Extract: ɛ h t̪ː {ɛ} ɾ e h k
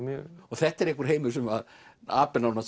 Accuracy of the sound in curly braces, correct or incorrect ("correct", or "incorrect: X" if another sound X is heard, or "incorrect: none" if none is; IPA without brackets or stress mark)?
correct